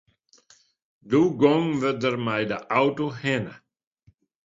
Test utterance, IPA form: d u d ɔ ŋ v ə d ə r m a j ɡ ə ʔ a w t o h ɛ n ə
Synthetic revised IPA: d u ɡ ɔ ŋ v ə d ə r m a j d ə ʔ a w t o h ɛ n ə